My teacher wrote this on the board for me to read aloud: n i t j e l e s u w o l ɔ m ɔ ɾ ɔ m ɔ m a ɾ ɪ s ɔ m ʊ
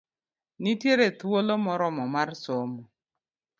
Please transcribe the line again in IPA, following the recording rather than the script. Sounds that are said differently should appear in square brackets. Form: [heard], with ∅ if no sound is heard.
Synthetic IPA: n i t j e [ɾ] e [t] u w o l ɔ m ɔ ɾ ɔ m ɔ m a ɾ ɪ s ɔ m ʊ